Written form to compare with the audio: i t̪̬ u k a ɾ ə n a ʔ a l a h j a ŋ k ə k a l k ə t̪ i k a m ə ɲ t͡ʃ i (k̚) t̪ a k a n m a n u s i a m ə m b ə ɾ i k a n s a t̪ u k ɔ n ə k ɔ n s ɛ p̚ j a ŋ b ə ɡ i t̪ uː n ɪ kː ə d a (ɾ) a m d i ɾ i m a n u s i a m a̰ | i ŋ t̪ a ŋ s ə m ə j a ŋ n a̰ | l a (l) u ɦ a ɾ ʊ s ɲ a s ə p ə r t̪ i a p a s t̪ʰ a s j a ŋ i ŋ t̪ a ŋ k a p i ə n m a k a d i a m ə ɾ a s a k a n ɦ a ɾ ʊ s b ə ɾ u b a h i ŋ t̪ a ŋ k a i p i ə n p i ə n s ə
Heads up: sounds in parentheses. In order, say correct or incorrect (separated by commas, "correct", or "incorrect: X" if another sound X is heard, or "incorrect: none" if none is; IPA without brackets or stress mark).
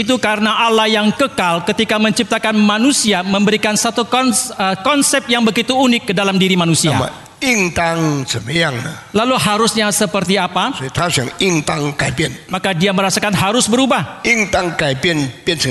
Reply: incorrect: p̚, incorrect: l, correct